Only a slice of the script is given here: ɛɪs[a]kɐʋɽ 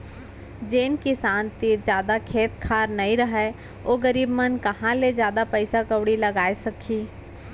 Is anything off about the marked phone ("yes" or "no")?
no